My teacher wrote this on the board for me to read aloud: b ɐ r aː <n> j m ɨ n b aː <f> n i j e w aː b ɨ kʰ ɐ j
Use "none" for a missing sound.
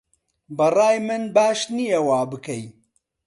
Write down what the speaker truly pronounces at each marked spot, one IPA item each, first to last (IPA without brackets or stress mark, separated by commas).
none, ʃ